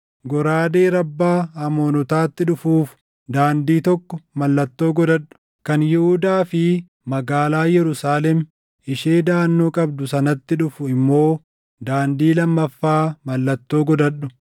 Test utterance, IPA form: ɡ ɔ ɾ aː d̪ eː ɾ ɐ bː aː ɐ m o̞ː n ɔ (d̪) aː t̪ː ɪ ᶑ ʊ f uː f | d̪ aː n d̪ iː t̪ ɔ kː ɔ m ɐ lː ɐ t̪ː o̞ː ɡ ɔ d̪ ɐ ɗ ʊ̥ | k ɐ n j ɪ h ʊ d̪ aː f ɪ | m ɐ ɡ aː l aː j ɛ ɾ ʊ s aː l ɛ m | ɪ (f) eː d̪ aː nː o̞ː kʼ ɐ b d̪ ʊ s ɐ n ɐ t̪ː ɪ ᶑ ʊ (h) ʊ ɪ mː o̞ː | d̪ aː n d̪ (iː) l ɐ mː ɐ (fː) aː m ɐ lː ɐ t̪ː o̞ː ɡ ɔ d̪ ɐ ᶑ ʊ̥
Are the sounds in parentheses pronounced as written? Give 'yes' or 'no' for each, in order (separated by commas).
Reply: no, no, no, yes, yes